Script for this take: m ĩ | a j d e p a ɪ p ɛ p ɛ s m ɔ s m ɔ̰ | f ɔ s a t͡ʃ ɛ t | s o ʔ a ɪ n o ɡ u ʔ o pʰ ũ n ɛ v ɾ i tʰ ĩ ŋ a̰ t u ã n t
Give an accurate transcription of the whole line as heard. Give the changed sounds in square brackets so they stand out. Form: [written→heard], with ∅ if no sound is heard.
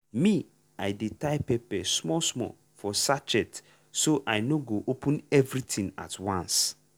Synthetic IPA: m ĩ | a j d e [p→t] a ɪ p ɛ p ɛ s m ɔ s m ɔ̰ | f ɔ s a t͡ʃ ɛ t | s o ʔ a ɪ n o ɡ [u→o] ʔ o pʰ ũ n ɛ v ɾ i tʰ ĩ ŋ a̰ t [u→w] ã n [t→s]